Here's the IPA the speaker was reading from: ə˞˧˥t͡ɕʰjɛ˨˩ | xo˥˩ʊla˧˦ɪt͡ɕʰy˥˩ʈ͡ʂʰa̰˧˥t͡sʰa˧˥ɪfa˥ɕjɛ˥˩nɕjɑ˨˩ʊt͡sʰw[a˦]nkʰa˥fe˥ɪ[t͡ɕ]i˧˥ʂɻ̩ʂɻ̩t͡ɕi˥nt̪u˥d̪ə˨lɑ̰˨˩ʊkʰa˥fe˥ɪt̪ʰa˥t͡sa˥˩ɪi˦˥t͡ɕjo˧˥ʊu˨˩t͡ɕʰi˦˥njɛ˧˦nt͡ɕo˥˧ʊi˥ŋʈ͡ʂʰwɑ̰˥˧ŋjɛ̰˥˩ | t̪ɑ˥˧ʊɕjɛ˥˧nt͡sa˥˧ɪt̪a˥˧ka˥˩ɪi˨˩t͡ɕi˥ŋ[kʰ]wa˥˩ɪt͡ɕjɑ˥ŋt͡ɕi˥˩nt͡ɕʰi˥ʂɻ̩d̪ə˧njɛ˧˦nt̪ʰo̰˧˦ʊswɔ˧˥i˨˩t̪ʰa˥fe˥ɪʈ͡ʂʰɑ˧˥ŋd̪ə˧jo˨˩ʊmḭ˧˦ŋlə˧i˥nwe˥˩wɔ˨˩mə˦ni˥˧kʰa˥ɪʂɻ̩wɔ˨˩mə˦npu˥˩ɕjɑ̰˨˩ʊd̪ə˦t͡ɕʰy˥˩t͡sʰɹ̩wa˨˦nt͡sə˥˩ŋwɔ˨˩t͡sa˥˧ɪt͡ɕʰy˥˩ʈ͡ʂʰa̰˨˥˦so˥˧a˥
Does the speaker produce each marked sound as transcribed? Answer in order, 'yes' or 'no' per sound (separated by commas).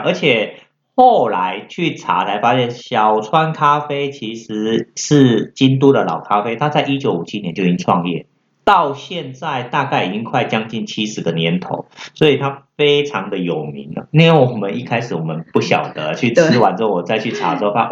yes, no, yes